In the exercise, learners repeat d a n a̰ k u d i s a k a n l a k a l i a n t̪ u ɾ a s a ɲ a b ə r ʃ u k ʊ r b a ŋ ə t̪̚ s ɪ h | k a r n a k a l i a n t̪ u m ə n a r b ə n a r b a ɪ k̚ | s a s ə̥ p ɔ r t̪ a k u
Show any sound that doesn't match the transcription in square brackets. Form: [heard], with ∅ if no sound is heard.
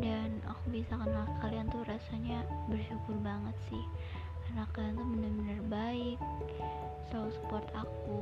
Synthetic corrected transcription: d a n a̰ k u [b] i s a k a n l a k a l i a n t̪ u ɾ a s a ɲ a b ə r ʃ u k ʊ r b a ŋ ə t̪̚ s ɪ h | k a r n a k a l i a n t̪ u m ə n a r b ə n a r b a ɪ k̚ | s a s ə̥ p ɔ r t̪ a k u